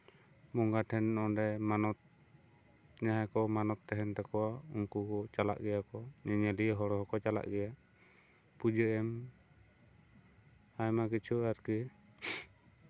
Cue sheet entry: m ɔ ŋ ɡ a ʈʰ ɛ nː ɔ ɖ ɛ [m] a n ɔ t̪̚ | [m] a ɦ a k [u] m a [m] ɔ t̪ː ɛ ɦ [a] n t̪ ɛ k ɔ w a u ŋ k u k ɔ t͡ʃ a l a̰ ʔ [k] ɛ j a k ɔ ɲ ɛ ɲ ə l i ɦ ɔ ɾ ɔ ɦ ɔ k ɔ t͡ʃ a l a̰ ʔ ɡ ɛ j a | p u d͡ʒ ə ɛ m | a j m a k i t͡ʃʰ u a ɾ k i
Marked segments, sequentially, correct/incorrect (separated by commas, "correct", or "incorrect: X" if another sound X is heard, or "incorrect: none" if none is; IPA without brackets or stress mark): correct, incorrect: ɲ, incorrect: ɔ, incorrect: n, incorrect: ɛ, incorrect: ɡ